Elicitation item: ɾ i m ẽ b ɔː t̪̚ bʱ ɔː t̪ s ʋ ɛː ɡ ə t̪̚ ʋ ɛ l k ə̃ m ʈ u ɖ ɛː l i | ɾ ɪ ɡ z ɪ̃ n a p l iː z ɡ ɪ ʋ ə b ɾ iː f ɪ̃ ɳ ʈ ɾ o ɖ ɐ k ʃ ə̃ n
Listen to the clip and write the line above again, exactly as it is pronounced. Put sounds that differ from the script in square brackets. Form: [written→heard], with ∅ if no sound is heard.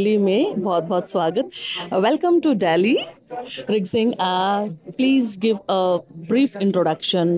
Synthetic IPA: [ɾ→l] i m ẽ b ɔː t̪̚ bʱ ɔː t̪ s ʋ [ɛː→aː] ɡ ə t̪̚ ʋ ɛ l k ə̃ m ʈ u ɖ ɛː l i | ɾ ɪ ɡ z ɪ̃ [n→ŋ] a p l iː z ɡ ɪ ʋ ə b ɾ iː f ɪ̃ ɳ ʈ ɾ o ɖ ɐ k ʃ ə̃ n